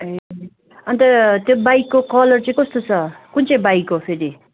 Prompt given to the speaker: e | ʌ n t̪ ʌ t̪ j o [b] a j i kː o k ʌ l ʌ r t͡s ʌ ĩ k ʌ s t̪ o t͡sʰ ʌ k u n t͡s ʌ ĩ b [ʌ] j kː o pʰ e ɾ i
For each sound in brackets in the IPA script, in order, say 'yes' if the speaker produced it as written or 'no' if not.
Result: yes, no

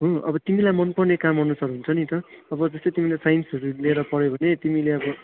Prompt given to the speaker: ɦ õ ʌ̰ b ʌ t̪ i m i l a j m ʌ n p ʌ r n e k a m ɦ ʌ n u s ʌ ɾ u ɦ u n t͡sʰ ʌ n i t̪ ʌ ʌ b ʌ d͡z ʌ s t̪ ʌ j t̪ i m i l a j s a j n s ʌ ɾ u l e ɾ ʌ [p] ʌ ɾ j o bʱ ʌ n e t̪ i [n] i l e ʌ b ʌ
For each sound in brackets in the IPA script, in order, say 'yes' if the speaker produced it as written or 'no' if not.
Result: yes, no

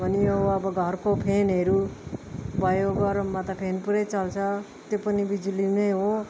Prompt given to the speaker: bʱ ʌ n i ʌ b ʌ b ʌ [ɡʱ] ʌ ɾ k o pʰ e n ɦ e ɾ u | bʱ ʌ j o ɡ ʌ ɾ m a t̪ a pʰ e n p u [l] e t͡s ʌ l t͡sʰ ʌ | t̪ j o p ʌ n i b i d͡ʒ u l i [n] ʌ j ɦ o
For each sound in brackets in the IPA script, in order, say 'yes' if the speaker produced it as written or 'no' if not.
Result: yes, no, yes

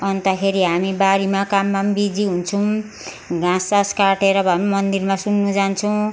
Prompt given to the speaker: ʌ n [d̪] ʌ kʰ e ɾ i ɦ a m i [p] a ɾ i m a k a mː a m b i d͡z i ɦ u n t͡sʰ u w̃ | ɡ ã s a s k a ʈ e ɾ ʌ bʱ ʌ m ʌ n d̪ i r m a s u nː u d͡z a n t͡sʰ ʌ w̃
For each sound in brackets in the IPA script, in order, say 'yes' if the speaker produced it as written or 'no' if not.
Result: no, no

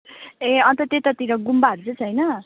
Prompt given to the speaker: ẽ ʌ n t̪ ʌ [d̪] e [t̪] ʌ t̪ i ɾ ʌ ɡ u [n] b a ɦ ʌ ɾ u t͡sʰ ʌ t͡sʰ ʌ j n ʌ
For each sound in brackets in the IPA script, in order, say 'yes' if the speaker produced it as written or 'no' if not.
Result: no, yes, no

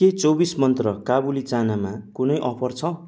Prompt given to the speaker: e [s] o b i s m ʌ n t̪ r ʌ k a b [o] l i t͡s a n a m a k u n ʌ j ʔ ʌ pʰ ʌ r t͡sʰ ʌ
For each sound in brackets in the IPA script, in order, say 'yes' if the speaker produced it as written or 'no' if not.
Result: no, no

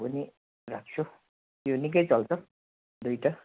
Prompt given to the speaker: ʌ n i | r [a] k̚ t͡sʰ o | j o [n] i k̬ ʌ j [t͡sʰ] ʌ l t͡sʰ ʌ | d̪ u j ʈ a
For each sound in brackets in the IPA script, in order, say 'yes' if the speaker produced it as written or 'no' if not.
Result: yes, yes, no

